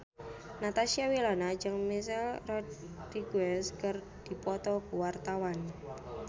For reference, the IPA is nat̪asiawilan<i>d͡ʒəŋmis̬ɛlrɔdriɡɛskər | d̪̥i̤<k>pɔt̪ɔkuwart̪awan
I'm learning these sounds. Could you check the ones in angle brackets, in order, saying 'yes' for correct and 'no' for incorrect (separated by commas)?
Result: no, no